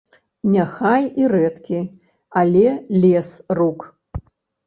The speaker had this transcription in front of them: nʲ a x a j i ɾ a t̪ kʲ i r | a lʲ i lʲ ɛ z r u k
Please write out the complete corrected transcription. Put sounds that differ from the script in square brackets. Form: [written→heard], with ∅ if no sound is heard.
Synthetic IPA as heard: nʲ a x a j i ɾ [a→ɛ] t̪ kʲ i [r→∅] | a lʲ [i→ɛ] lʲ ɛ [z→s] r u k